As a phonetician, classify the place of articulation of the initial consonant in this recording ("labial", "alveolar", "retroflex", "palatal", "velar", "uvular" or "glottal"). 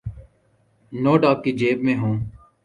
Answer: alveolar